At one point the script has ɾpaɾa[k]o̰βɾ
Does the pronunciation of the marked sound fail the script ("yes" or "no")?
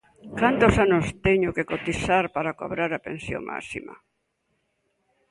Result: no